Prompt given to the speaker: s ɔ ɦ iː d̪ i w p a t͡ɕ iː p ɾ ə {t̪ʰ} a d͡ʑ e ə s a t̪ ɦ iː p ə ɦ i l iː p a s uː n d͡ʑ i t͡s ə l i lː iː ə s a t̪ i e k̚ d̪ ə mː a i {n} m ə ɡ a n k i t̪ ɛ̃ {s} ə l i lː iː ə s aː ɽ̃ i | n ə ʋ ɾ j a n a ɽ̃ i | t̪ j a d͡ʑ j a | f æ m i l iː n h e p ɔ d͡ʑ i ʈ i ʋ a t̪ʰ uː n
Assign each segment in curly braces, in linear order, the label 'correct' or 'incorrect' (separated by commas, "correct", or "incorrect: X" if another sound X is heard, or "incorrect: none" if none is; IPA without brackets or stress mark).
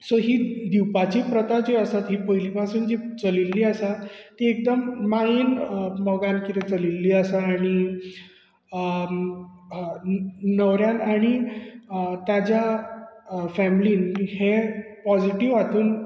incorrect: t̪, correct, incorrect: t͡s